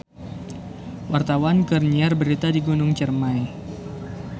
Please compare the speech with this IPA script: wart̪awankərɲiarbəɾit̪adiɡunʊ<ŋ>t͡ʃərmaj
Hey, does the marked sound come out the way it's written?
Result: yes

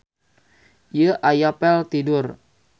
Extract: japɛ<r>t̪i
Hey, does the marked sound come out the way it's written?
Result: no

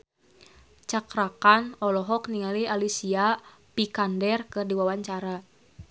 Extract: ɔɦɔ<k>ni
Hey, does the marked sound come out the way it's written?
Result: yes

